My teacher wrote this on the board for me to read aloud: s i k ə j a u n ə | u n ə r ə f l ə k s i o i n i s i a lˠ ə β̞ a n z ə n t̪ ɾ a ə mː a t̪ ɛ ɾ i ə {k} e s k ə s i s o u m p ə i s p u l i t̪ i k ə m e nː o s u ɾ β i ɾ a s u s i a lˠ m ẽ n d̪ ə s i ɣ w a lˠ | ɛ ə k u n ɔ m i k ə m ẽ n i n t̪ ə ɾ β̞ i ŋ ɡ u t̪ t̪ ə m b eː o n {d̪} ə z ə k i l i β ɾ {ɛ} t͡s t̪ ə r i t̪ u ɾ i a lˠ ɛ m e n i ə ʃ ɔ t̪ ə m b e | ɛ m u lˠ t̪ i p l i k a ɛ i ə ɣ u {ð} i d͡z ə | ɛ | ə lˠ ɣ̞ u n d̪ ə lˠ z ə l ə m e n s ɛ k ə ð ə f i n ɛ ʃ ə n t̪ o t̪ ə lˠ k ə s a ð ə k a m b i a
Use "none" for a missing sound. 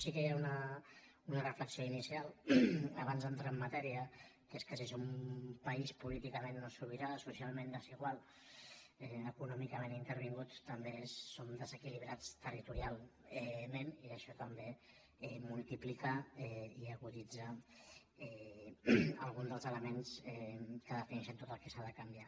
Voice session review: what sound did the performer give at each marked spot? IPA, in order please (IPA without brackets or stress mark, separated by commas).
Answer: k, d̪, a, ð